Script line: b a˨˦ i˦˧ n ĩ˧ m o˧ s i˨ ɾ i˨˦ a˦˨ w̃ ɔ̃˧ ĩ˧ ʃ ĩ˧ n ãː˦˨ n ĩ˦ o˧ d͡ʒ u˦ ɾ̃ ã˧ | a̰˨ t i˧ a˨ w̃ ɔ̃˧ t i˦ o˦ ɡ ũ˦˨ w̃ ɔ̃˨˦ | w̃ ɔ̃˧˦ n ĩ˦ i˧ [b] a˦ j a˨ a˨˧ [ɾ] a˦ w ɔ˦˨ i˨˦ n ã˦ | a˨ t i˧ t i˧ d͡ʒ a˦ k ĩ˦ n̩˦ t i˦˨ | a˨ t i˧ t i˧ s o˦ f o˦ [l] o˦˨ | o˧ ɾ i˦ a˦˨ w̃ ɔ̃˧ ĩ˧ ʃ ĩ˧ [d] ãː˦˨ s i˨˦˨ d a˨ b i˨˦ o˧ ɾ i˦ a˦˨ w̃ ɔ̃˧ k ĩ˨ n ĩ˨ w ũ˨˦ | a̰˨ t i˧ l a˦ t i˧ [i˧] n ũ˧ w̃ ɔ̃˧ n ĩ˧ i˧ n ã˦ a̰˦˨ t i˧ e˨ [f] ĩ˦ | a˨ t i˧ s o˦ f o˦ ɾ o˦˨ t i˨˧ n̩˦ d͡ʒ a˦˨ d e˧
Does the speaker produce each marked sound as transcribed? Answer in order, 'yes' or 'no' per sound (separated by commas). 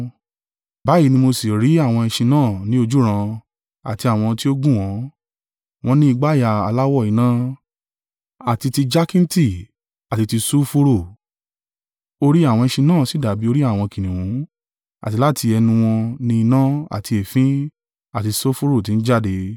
no, no, no, no, no, yes